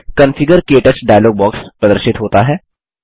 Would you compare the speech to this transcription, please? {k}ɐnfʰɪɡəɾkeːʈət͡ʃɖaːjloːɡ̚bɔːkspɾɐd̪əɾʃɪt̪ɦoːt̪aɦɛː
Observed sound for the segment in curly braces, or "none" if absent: k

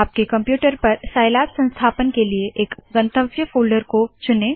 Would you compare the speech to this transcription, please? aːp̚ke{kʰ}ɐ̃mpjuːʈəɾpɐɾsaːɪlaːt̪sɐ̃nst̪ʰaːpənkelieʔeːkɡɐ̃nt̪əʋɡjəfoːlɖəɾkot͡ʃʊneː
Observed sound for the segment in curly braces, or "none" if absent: k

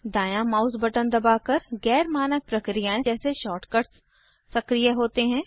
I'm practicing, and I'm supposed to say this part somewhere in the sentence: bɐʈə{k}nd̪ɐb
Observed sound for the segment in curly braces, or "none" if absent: none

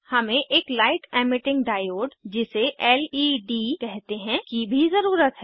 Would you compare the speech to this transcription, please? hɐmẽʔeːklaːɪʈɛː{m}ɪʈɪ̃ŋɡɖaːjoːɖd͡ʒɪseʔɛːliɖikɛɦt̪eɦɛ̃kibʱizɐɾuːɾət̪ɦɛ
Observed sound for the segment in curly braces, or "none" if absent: m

